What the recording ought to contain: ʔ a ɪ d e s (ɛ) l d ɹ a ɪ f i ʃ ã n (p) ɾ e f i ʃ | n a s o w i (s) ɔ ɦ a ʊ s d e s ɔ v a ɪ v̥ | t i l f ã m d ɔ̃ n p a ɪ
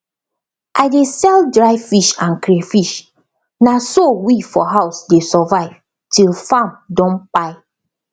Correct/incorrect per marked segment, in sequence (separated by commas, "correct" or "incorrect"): correct, incorrect, incorrect